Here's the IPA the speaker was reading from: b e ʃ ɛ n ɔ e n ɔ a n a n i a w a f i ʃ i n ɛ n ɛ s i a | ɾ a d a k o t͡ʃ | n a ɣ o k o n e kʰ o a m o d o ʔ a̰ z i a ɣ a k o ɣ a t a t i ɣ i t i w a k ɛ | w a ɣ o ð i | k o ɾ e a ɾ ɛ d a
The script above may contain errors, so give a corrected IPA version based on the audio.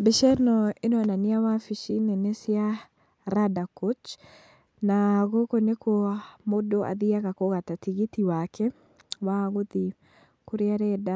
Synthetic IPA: b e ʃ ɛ n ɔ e n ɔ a n a n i a w a f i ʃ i n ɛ n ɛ s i a | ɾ a d a k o t͡ʃ | n a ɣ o k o n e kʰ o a m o d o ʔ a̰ ð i a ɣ a k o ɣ a t a t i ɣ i t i w a k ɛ | w a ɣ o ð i | k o ɾ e a ɾ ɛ d a